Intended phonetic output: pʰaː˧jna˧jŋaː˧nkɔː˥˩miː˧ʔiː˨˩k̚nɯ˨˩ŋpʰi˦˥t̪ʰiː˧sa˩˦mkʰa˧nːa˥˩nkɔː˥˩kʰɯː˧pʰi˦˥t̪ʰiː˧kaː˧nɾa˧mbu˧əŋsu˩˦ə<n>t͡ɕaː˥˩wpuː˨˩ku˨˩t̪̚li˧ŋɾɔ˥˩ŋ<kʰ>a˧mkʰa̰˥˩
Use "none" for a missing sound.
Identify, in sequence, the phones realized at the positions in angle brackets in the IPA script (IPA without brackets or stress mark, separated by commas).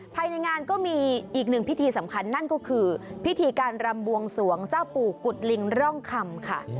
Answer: ŋ, kʰ